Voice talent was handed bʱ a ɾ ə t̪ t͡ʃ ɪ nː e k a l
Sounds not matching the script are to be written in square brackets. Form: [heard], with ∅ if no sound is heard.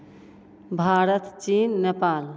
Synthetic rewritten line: bʱ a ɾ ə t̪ t͡ʃ [i] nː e [p] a l